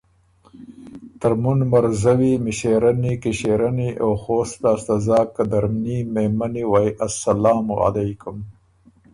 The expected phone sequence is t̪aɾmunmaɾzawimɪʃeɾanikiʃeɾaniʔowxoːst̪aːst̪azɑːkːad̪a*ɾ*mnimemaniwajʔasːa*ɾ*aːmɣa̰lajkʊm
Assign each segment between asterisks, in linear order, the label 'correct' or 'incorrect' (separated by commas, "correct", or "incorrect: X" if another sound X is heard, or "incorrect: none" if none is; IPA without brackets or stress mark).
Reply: correct, incorrect: l